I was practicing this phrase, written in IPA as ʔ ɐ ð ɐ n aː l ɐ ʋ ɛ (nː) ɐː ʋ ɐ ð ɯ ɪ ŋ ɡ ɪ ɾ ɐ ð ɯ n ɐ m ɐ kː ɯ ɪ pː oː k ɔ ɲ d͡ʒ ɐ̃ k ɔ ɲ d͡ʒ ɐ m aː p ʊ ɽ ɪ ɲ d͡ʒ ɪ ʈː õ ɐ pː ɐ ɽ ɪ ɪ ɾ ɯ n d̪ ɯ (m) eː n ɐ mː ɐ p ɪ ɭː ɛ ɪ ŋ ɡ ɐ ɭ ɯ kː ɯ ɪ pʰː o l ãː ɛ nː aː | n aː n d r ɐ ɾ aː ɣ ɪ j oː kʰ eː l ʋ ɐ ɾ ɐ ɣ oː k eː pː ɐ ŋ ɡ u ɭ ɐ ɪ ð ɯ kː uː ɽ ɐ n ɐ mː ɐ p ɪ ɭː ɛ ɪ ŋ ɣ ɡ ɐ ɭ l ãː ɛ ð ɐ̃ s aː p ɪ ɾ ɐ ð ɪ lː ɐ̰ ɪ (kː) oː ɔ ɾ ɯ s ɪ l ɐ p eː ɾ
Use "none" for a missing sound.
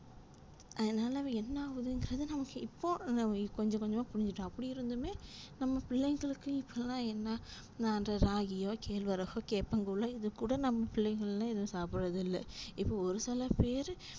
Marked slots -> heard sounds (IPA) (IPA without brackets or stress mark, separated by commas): nː, m, pː